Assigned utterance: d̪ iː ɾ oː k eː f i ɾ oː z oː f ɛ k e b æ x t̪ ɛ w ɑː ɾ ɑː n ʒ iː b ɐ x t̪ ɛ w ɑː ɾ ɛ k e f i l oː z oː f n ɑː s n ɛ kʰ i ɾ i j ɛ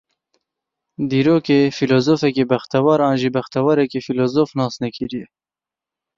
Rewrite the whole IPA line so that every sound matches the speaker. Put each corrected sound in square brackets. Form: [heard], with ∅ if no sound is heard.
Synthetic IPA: d̪ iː ɾ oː k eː f i [l] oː z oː f ɛ k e b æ x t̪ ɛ w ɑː ɾ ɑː n ʒ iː b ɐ x t̪ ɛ w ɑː ɾ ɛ k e f i l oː z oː f n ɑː s n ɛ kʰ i ɾ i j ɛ

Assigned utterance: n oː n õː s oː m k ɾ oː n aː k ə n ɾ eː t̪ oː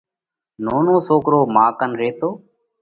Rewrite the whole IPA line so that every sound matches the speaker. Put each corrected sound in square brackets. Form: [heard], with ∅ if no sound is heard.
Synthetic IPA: n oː n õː s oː [∅] k ɾ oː [m] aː k ə n ɾ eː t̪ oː

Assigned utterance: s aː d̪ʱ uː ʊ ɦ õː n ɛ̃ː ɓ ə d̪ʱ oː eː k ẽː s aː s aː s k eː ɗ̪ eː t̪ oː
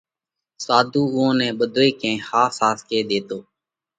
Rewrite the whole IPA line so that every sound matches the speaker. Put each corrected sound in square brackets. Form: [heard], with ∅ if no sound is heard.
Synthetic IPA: s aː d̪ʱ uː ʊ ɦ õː n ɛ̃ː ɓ ə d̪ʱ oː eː k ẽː [h] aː s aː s k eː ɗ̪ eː t̪ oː

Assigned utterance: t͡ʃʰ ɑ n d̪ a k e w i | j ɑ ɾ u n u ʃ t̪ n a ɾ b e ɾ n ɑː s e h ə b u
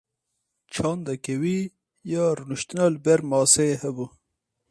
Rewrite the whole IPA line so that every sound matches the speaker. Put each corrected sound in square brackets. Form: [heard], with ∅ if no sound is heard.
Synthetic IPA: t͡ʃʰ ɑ n d̪ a k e w i | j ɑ ɾ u n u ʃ t̪ n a [l] b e ɾ [m] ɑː s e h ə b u

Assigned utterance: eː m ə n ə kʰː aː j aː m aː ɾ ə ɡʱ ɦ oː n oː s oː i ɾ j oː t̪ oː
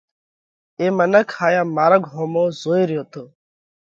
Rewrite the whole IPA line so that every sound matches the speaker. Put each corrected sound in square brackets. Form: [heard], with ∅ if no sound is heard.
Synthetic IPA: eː m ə n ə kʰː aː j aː m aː ɾ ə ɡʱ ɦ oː [m] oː [z] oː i ɾ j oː t̪ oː

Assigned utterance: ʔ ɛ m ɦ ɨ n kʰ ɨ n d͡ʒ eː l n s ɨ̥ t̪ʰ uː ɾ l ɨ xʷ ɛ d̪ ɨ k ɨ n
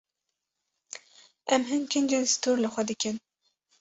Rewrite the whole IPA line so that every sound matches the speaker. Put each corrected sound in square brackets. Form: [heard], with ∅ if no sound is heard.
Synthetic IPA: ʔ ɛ m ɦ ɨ n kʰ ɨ n d͡ʒ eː [∅] n s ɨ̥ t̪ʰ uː ɾ l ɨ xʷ ɛ d̪ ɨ k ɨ n

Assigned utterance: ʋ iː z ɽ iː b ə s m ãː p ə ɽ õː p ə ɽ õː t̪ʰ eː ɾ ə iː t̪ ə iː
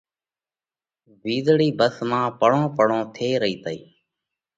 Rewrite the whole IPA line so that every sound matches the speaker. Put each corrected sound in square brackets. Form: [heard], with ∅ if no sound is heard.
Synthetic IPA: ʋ iː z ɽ iː b ə s m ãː p ə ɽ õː p ə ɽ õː t̪ʰ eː ɾ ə iː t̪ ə iː

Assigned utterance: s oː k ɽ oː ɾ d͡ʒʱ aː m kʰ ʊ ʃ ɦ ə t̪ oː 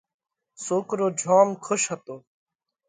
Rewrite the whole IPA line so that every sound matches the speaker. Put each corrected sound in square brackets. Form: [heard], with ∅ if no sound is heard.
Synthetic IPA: s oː k [ɾ] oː [∅] d͡ʒʱ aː m kʰ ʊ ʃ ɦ ə t̪ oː

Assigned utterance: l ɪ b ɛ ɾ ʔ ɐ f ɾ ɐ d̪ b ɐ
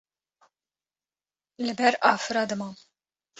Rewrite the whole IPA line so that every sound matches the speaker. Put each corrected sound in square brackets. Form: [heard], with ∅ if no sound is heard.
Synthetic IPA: l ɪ b ɛ ɾ ʔ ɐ f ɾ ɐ d̪ [m] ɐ

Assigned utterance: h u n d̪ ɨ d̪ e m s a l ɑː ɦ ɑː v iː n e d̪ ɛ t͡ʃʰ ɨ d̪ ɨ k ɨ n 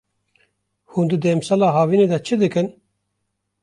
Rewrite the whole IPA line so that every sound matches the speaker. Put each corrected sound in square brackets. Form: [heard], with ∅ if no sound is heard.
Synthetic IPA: h u n d̪ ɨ d̪ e m s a l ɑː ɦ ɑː v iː n e d̪ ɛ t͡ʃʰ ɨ d̪ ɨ k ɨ n

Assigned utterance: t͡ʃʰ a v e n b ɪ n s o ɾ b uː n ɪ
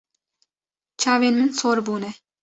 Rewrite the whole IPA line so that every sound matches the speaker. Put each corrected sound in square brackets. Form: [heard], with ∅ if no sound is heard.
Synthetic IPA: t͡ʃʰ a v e n [m] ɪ n s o ɾ b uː n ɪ

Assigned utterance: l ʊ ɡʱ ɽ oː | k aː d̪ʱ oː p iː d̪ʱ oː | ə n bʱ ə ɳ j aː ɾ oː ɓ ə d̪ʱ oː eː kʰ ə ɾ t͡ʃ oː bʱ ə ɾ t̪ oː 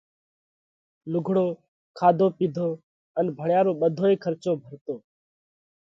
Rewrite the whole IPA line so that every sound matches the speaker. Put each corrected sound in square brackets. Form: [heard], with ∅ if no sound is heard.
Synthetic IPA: l ʊ ɡʱ ɽ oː | [kʰ] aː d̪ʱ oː p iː d̪ʱ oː | ə n bʱ ə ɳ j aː ɾ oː ɓ ə d̪ʱ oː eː kʰ ə ɾ t͡ʃ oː bʱ ə ɾ t̪ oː

